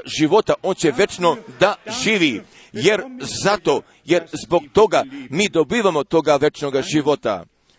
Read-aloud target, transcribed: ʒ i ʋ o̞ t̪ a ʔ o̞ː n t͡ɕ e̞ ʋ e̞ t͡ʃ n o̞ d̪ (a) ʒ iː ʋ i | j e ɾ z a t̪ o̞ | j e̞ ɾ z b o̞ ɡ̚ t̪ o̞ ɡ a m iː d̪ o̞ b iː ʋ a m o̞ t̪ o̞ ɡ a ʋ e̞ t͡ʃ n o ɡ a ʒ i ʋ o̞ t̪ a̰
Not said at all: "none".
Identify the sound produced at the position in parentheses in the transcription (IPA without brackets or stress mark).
a